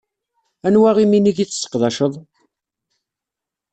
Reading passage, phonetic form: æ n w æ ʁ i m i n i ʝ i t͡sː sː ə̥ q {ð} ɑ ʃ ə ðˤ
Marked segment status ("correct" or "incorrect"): correct